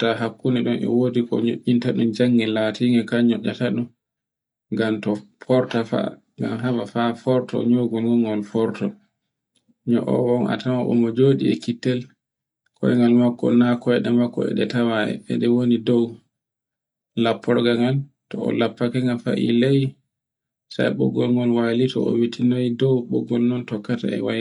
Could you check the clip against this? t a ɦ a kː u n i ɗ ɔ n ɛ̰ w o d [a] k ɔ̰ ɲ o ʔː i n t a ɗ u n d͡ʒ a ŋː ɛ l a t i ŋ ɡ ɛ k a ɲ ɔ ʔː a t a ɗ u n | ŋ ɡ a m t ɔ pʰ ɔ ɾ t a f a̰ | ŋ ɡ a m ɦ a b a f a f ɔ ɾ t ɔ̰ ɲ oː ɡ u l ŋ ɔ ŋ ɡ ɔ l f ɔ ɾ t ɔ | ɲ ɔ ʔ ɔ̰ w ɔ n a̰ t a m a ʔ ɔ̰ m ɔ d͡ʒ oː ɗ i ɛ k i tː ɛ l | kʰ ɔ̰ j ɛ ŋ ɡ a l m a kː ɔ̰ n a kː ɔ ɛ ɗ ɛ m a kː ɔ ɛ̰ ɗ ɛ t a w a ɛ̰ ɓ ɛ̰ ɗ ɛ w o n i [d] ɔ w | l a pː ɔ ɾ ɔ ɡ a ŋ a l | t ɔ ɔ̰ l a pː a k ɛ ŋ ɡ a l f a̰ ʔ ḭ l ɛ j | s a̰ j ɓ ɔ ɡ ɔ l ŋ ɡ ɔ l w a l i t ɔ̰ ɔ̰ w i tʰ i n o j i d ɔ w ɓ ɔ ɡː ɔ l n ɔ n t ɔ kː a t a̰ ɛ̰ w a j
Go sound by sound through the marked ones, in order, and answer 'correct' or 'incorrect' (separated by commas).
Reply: incorrect, correct